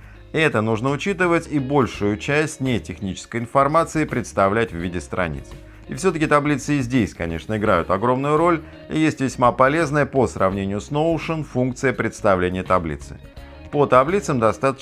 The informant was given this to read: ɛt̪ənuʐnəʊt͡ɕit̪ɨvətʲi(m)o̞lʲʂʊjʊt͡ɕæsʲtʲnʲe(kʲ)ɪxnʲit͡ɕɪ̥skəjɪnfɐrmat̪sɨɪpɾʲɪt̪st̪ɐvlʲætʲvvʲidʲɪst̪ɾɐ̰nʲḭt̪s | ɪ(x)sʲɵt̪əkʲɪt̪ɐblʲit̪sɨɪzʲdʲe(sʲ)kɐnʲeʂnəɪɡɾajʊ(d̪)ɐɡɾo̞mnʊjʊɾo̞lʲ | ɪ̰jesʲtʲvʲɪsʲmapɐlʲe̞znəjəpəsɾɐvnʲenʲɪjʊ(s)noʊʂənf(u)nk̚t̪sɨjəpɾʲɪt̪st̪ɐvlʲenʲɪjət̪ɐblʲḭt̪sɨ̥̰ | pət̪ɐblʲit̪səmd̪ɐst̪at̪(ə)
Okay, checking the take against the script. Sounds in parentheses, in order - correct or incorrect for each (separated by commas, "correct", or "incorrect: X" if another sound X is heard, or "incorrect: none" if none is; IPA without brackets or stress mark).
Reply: incorrect: b, incorrect: tʲ, incorrect: f, correct, incorrect: t̪, correct, correct, correct